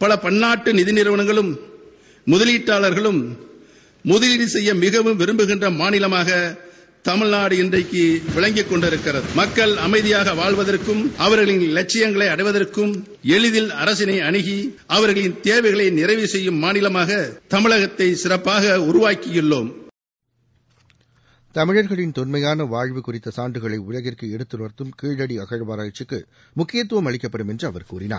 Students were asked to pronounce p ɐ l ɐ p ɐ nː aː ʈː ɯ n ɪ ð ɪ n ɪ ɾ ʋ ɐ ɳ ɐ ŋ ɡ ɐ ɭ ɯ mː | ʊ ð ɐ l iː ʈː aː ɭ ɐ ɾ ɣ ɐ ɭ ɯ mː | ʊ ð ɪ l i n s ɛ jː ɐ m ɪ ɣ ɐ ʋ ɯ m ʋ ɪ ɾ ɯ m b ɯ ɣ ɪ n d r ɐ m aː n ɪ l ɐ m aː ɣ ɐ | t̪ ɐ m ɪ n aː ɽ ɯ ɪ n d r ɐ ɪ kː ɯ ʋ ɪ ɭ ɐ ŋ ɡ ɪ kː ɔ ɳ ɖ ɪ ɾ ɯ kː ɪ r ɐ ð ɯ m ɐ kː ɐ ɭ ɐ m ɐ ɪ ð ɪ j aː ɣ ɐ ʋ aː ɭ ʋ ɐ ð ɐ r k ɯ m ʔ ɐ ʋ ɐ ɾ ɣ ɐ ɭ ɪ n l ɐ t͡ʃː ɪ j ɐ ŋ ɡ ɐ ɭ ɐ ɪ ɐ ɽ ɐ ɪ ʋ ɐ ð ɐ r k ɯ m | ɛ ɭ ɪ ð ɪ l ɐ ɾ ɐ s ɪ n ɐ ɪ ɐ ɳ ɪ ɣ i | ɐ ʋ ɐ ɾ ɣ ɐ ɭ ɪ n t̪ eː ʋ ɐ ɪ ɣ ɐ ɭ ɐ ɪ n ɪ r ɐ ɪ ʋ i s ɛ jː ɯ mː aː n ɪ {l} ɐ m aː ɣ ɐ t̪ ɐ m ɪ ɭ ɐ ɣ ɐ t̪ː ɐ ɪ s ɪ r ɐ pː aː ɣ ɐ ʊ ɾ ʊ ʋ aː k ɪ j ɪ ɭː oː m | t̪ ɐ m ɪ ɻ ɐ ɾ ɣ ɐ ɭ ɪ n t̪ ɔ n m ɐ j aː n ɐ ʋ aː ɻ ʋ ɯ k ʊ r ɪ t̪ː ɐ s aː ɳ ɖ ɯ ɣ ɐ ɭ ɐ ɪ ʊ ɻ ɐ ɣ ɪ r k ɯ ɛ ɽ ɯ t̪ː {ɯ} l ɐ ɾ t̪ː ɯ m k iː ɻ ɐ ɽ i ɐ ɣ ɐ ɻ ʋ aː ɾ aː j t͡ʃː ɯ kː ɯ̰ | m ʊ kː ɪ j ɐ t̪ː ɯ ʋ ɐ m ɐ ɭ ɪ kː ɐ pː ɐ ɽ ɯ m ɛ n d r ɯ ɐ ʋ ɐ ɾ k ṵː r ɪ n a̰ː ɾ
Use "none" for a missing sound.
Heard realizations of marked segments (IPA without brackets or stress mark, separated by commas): l, ɯ